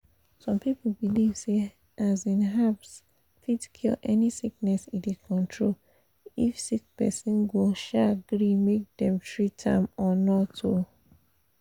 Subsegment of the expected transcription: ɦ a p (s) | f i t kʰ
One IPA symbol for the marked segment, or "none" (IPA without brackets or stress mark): s